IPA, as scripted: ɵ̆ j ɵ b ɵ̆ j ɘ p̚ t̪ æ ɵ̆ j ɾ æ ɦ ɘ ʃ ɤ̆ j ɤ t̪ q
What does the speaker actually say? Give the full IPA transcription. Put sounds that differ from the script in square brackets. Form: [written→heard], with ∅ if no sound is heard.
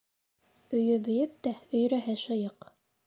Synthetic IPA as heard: ɵ̆ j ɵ b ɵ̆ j ɘ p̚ t̪ æ ɵ̆ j ɾ æ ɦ ɘ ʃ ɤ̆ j ɤ [t̪→∅] q